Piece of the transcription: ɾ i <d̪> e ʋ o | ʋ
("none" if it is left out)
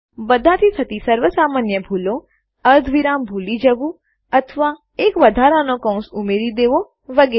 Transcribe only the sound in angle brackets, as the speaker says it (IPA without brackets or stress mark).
d̪